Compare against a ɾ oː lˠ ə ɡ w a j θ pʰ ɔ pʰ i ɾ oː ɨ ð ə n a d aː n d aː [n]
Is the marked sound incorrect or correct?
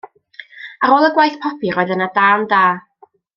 incorrect